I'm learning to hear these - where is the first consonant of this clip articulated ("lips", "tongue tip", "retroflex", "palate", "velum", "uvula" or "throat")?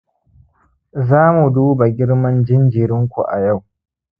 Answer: tongue tip